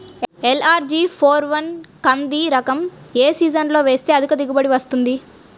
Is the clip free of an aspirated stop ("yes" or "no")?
no